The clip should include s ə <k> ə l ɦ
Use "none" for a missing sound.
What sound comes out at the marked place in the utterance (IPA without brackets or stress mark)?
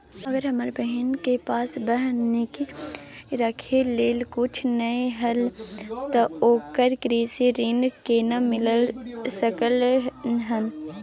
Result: k